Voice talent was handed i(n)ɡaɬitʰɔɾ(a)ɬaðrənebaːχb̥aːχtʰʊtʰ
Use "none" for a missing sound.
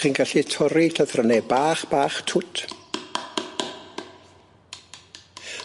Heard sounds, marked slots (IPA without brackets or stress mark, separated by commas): n, i